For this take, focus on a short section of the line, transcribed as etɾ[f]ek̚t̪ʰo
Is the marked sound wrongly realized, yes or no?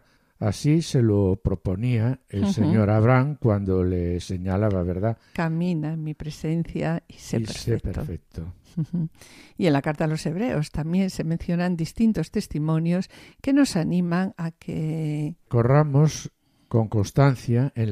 no